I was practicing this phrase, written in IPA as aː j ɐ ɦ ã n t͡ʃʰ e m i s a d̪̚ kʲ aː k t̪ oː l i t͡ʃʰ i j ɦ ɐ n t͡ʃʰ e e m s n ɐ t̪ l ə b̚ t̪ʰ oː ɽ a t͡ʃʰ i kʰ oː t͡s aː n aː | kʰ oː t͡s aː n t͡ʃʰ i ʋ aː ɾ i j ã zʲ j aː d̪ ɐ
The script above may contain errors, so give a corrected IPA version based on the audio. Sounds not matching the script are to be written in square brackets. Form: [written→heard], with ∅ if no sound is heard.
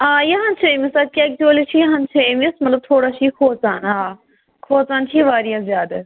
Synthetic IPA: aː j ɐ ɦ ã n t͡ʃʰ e m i s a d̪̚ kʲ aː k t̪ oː l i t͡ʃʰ i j ɦ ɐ n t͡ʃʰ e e m s [n→m] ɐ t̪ l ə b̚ t̪ʰ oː ɽ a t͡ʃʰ i kʰ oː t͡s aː n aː | kʰ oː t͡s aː n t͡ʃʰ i ʋ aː ɾ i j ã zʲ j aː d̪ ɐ

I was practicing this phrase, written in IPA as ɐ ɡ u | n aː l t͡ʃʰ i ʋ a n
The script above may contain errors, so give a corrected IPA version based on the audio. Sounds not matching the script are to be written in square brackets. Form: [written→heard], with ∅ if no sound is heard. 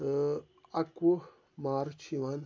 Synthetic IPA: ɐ [ɡ→k] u | [n→m] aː [l→ɾ] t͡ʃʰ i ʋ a n

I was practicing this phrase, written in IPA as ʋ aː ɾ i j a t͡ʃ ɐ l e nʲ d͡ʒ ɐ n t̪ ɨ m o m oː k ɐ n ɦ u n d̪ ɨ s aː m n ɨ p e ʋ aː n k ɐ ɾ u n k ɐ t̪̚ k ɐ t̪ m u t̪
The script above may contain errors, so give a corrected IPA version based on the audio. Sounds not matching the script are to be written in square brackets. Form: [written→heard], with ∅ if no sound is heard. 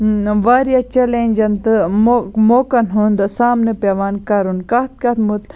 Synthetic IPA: ʋ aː ɾ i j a t͡ʃ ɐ l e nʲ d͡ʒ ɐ n t̪ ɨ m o m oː k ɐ n ɦ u n d̪ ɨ s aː m n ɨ p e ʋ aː n k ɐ ɾ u n k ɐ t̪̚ k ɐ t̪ m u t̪

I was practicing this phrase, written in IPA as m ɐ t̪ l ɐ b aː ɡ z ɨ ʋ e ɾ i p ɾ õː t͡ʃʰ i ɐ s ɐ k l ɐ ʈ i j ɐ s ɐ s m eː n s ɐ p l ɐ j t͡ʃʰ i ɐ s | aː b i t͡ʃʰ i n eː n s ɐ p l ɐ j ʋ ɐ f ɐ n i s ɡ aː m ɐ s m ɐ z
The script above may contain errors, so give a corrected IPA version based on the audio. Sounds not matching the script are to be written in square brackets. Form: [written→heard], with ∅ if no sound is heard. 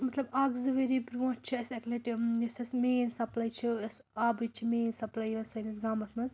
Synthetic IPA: m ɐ t̪ l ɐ b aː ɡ z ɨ ʋ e ɾ i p ɾ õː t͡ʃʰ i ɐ s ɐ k l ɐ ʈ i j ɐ s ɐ s m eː n s ɐ p l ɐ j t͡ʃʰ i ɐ s | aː b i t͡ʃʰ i [n→m] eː n s ɐ p l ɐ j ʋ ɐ [f→s] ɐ n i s ɡ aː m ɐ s m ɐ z

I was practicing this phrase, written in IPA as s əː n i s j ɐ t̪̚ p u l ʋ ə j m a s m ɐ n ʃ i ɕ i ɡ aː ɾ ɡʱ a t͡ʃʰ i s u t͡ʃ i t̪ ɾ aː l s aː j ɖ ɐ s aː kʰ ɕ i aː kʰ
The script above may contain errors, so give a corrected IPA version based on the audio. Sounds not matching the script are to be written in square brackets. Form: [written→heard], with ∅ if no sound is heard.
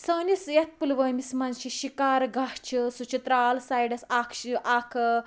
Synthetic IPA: s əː n i s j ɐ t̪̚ p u l ʋ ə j m [a→i] s m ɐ n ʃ i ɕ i [ɡ→k] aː ɾ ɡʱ a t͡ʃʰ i s u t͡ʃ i t̪ ɾ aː l s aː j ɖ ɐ s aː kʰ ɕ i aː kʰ

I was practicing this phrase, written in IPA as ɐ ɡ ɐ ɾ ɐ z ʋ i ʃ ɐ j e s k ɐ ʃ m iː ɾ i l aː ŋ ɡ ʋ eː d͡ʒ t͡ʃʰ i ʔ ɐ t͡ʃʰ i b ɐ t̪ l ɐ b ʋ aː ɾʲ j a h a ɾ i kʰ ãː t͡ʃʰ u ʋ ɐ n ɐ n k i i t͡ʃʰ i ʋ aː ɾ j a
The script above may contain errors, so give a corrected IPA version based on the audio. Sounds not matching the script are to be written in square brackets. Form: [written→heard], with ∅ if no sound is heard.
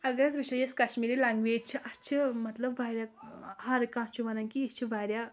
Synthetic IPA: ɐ ɡ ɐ ɾ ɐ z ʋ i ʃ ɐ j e s k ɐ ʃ m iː ɾ i l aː ŋ ɡ ʋ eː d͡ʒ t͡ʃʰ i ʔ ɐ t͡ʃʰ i [b→m] ɐ t̪ l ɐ b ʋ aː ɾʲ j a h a ɾ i [kʰ→k] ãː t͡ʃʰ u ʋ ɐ n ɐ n k i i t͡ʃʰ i ʋ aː ɾ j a

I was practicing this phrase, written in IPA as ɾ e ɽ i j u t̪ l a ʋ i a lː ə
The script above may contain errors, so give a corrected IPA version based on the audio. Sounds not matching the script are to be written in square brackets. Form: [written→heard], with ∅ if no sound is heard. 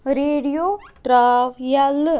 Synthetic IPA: ɾ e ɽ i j [u→o] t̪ [l→ɾ] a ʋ [i→j] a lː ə

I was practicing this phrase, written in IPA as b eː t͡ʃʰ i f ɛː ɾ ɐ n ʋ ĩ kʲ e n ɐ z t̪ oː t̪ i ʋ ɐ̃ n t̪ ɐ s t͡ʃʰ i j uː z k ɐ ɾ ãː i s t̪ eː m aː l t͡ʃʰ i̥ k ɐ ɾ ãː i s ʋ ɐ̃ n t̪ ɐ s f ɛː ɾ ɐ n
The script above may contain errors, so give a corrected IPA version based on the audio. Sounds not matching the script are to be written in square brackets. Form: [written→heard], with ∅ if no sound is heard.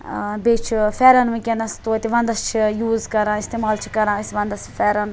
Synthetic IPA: b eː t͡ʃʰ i f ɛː ɾ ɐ n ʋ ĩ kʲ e n ɐ [z→s] t̪ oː t̪ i ʋ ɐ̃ n [t̪→d̪] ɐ s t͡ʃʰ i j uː z k ɐ ɾ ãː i s t̪ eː m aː l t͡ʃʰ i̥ k ɐ ɾ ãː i s ʋ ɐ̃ n [t̪→d̪] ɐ s f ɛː ɾ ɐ n

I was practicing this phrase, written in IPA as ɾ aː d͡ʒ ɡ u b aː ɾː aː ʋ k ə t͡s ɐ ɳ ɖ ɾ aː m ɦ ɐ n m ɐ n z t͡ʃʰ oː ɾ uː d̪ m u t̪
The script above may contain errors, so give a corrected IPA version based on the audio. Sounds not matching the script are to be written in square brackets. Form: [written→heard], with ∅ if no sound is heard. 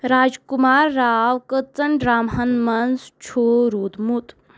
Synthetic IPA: ɾ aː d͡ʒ [ɡ→k] u [b→m] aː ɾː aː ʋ k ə t͡s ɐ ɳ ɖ ɾ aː m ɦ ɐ n m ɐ n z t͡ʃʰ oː ɾ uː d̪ m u t̪

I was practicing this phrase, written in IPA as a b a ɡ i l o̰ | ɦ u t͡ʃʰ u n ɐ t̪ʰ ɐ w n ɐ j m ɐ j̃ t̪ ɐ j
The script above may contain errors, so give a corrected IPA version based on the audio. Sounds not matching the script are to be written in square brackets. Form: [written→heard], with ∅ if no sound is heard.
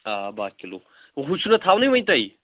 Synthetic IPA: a b a [ɡ→k] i l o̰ | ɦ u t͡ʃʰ u n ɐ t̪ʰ [ɐ→a] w n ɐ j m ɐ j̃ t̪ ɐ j

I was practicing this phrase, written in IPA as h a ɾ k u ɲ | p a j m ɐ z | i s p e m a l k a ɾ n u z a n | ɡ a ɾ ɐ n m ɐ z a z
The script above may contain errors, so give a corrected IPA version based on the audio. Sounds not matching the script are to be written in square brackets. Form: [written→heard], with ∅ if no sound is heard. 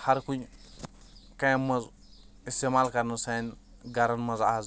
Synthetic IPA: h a ɾ k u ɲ | [p→k] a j m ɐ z | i s [p→t] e m a l k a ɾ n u [z→s] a n | ɡ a ɾ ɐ n m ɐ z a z

